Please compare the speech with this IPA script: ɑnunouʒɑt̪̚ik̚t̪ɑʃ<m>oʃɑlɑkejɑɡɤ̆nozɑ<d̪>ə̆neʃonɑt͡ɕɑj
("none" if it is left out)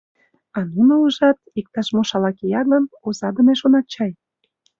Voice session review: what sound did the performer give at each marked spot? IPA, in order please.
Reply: m, d̪

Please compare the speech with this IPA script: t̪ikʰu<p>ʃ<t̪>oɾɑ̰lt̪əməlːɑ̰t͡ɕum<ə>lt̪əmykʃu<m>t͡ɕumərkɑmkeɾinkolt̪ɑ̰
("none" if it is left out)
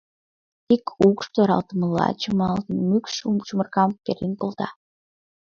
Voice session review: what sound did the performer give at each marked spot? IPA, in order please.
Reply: k, t̪, ɑ, m

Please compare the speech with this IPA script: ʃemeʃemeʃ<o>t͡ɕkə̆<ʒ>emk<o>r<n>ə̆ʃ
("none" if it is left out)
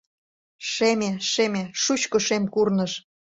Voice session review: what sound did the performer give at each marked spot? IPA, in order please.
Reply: u, ʃ, u, n

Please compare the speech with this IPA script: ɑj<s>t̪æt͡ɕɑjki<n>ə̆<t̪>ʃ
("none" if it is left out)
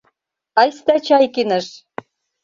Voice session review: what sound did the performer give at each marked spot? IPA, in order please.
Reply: s, n, none

